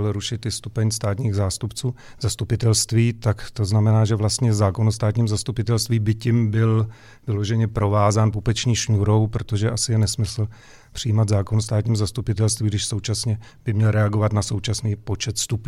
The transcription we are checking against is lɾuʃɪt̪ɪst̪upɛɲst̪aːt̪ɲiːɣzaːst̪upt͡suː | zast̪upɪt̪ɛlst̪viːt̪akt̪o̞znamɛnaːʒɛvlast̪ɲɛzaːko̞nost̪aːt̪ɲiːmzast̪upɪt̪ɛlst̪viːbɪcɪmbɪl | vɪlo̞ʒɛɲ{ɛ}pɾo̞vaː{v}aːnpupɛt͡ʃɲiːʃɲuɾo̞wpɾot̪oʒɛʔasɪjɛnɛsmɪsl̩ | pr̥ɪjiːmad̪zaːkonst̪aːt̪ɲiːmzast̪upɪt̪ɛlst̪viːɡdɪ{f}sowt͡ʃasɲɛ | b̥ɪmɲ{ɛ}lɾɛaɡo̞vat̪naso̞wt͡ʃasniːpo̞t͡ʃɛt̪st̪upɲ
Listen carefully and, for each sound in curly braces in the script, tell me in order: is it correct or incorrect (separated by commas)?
correct, incorrect, incorrect, correct